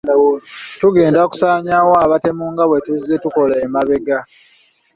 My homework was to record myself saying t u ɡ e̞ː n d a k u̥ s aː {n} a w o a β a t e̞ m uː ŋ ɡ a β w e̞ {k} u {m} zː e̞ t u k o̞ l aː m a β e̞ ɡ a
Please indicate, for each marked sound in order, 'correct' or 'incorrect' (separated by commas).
incorrect, incorrect, incorrect